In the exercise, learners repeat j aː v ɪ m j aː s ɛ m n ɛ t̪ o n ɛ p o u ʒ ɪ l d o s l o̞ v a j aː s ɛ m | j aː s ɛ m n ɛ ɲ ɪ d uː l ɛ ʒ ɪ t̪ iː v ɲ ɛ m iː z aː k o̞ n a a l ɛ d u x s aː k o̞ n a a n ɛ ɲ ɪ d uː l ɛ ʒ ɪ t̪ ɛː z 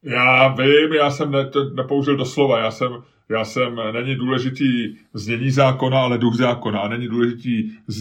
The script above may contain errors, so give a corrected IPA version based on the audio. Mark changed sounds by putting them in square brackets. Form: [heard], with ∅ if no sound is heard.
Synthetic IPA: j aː v ɪ m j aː s ɛ m n ɛ t̪ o n ɛ p o u ʒ ɪ l d o s l o̞ v a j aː s ɛ m | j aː s ɛ m n ɛ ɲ ɪ d uː l ɛ ʒ ɪ t̪ iː [z] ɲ ɛ [ɲ] iː z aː k o̞ n a a l ɛ d u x [z] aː k o̞ n a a n ɛ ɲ ɪ d uː l ɛ ʒ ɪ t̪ [iː] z